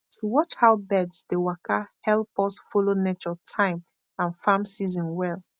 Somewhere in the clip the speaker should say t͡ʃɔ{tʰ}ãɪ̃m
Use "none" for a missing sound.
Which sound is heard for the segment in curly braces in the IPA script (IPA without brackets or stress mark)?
tʰ